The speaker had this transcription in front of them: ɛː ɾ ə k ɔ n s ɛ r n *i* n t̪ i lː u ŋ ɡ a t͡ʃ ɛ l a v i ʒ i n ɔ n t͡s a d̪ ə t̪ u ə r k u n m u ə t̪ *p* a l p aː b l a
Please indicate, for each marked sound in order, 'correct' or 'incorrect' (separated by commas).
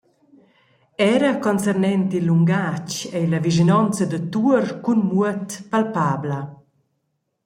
incorrect, correct